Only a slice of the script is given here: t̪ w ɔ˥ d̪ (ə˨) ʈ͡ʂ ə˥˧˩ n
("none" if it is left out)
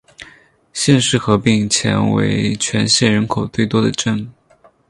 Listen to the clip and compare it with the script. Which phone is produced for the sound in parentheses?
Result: ə˨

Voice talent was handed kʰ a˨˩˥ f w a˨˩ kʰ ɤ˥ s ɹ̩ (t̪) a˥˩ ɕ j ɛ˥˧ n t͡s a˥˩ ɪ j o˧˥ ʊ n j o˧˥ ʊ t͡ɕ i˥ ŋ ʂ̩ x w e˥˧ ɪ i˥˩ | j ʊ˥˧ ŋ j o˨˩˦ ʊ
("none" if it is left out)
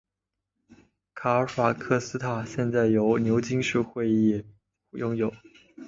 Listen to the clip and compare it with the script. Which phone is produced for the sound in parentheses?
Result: t̪ʰ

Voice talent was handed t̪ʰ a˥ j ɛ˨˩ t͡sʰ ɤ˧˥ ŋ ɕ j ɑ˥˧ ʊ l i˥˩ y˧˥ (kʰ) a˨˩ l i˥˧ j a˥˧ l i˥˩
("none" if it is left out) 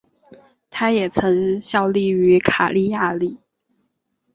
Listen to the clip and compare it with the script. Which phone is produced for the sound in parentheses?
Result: kʰ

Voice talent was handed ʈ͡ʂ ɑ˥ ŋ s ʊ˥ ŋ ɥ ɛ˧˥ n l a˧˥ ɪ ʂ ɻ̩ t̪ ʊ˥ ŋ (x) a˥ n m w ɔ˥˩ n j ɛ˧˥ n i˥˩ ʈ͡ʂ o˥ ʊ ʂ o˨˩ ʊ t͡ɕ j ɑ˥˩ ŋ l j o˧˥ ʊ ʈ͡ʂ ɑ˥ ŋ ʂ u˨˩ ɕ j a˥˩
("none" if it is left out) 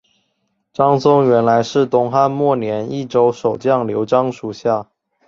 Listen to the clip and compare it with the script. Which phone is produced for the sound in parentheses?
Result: x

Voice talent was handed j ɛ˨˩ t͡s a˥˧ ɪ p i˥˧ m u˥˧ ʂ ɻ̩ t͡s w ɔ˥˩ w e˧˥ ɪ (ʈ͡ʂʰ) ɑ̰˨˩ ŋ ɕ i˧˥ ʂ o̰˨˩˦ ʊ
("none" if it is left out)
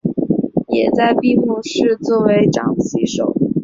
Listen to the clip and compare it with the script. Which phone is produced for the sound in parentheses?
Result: ʈ͡ʂ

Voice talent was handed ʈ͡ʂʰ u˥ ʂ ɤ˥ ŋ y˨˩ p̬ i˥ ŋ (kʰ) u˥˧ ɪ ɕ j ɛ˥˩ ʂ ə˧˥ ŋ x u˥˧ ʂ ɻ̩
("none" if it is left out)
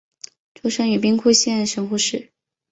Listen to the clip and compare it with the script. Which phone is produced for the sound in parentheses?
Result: kʰ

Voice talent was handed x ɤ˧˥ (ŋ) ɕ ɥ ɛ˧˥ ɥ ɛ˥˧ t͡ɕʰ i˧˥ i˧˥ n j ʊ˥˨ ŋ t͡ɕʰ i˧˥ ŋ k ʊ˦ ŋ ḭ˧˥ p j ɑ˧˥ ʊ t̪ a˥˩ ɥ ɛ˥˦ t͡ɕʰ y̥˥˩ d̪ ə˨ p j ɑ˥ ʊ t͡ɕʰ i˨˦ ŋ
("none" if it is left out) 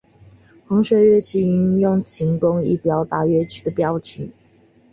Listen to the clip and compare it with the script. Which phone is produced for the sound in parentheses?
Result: ŋ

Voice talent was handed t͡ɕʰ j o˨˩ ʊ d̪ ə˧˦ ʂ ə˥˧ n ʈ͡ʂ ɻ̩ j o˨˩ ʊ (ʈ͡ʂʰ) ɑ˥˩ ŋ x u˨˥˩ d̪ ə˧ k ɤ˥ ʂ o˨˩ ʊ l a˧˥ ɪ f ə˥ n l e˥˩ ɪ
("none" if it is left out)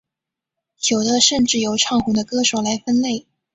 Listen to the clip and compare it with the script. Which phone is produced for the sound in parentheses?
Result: ʈ͡ʂʰ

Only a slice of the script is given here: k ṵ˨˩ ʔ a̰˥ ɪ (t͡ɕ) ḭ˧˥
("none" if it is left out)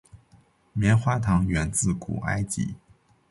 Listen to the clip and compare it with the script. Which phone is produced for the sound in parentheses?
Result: t͡ɕ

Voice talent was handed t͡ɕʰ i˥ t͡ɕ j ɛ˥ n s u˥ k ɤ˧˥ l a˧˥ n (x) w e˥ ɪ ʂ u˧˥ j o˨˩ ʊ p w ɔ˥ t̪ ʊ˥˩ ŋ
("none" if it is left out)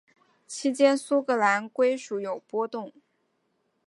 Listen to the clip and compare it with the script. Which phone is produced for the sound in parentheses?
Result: k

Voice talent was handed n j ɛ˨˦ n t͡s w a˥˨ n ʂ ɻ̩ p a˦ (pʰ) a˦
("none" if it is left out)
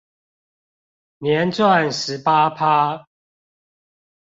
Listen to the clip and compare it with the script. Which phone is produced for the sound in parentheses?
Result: pʰ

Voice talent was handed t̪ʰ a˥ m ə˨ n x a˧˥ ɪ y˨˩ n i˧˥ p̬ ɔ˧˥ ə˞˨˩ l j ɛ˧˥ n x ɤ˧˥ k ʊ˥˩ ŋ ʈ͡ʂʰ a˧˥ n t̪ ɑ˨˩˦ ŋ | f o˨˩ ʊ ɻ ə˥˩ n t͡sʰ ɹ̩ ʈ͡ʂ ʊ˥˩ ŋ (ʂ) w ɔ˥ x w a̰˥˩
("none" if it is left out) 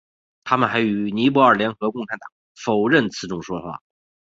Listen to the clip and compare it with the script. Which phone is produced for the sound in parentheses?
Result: ʂ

